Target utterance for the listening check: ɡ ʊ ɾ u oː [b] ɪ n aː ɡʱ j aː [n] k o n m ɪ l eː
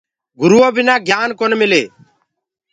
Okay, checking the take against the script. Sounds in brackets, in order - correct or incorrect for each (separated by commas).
correct, correct